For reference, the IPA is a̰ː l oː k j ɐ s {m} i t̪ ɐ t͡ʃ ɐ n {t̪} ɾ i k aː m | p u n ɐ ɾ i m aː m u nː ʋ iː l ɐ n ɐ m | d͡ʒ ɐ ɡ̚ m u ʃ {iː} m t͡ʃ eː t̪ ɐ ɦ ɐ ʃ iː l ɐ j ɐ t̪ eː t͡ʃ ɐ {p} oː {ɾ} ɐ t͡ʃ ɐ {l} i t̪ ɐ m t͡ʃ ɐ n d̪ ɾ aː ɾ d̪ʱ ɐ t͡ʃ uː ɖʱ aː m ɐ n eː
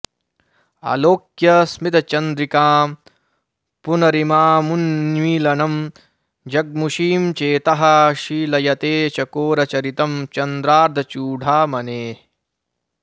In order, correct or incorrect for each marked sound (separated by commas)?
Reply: correct, incorrect, correct, incorrect, correct, incorrect